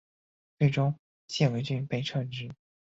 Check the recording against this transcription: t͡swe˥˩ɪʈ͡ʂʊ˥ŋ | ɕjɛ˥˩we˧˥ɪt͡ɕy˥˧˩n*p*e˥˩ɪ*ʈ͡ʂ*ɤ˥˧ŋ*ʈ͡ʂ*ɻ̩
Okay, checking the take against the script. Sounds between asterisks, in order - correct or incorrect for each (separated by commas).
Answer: correct, incorrect, correct